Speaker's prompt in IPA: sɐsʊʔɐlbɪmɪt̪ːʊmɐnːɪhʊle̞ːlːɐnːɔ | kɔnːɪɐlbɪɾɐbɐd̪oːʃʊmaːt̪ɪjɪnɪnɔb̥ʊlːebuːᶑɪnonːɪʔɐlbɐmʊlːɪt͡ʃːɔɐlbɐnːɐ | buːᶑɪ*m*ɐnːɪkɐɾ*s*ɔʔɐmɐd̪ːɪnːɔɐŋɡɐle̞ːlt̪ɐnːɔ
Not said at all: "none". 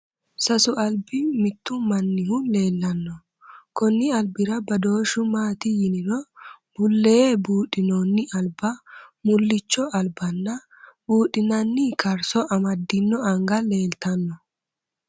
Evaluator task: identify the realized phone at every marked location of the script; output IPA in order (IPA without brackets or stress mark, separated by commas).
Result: n, s